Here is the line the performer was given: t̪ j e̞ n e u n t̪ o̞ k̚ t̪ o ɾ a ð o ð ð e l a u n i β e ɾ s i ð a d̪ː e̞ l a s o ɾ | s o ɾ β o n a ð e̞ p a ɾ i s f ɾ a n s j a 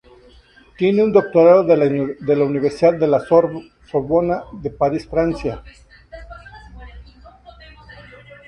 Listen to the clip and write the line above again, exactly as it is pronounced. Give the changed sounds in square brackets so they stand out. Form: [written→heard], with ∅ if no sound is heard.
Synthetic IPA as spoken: t̪ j e̞ n e u n [t̪→d̪] o̞ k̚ t̪ o ɾ a ð o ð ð e l a u n i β e ɾ s i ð a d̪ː e̞ l a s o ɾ | s o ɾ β o n a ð e̞ p a ɾ i s f ɾ a n s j a